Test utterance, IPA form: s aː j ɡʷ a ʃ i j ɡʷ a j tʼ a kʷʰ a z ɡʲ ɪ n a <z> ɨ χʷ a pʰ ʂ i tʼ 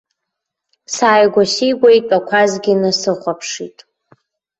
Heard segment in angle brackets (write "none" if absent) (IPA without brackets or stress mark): s